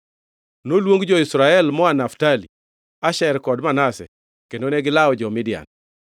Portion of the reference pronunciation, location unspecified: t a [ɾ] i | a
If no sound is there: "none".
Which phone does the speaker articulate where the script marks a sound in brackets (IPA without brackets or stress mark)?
l